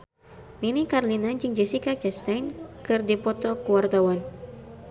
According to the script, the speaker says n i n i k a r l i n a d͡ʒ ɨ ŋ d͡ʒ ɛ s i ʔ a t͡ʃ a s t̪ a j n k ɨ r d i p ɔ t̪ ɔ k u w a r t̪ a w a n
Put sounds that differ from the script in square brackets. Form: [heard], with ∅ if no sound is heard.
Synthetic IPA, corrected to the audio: n i n i k a r l i n a d͡ʒ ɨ ŋ d͡ʒ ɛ s i [k] a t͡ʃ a s t̪ a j n k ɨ r d i p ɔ t̪ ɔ k u w a r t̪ a w a n